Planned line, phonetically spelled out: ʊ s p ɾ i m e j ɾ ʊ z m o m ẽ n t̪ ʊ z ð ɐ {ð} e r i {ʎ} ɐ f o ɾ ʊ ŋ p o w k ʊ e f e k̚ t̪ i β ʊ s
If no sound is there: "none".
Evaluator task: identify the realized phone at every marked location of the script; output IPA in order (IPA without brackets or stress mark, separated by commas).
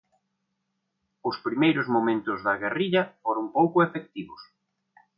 ɣ, ʎ